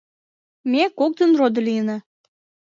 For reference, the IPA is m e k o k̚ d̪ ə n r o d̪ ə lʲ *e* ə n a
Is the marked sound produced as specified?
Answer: no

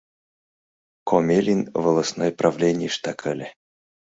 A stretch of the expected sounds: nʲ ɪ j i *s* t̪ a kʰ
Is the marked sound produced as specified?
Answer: no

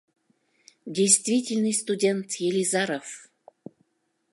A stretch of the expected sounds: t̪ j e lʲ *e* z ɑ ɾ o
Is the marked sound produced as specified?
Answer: no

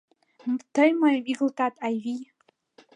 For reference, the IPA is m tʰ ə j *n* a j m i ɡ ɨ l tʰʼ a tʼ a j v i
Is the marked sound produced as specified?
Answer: no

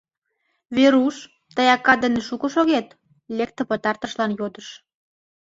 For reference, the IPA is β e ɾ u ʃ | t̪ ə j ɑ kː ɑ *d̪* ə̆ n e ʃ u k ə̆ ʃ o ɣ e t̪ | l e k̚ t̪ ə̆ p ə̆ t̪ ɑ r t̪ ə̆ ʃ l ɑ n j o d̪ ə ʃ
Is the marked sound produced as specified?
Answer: yes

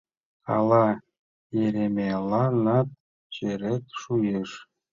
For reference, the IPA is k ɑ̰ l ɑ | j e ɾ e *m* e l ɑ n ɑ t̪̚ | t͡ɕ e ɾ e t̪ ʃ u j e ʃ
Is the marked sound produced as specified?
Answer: yes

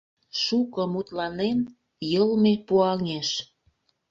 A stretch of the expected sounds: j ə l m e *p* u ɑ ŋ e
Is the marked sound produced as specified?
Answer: yes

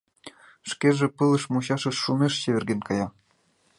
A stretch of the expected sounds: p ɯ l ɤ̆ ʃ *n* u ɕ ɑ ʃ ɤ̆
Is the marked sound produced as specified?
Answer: no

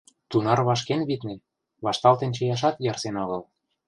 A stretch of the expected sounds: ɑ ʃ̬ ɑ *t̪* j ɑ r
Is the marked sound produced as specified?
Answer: yes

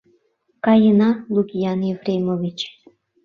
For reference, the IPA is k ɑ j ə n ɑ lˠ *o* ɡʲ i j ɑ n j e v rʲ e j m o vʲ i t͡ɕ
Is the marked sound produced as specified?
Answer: no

